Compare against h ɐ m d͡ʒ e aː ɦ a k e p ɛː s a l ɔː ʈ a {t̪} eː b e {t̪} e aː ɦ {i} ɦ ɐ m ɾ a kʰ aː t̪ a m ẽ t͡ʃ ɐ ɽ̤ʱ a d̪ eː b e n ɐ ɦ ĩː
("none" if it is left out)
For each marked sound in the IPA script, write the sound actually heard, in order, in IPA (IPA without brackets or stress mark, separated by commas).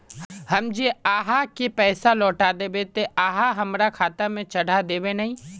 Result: d̪, t̪, a